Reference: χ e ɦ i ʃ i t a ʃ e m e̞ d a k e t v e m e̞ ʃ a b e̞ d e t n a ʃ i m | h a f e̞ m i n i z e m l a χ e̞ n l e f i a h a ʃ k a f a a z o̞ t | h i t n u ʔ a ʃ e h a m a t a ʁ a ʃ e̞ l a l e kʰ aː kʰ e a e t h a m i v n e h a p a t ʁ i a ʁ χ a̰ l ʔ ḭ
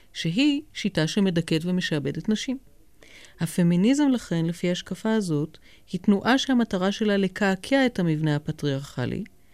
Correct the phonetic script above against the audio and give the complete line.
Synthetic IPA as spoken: ʃ e ɦ i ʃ i t a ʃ e m e̞ d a k e t v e m e̞ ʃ a b e̞ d e t n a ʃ i m | h a f e̞ m i n i z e m l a χ e̞ n l e f i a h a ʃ k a f a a z o̞ t | h i t n u ʔ a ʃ e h a m a t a ʁ a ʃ e̞ l a l e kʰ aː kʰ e a e t h a m i v n e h a p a t ʁ i a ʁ χ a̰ l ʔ ḭ